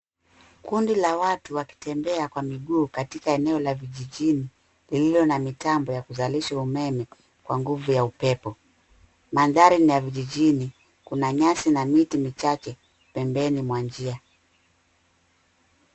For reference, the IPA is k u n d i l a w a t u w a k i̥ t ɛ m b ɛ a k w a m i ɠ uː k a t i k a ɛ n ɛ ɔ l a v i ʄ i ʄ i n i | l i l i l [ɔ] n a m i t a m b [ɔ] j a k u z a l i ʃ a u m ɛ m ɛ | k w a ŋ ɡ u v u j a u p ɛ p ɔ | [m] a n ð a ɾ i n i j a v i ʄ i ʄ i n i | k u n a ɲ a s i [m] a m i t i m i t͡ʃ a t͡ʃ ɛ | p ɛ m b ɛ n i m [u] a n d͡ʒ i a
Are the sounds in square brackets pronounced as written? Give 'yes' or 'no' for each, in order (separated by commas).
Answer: yes, yes, yes, no, no